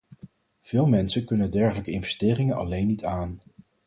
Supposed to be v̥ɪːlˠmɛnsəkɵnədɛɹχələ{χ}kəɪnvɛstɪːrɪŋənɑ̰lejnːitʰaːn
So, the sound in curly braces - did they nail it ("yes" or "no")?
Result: no